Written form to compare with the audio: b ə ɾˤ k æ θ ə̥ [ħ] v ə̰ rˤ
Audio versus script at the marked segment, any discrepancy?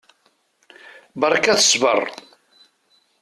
yes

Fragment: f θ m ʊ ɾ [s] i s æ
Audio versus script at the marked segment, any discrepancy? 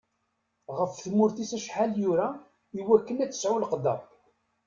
yes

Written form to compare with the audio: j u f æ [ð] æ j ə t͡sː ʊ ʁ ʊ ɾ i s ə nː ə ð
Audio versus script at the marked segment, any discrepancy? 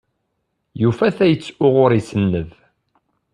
yes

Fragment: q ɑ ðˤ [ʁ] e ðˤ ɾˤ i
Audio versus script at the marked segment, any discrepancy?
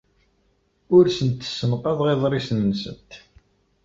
no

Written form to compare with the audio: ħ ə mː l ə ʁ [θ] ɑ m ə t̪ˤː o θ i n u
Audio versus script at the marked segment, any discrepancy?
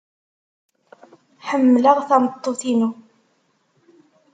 no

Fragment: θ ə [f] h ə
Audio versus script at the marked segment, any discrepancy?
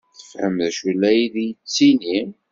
no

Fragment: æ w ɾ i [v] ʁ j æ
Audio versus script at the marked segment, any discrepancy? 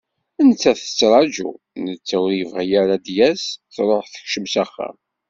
no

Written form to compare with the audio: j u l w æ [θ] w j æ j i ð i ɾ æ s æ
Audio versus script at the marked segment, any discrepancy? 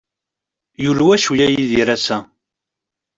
yes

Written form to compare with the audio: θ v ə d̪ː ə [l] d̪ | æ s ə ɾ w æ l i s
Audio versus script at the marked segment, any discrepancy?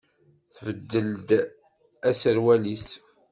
no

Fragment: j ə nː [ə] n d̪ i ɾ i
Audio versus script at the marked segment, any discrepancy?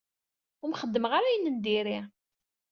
no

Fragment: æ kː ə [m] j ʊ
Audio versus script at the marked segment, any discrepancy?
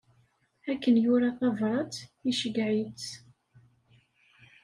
yes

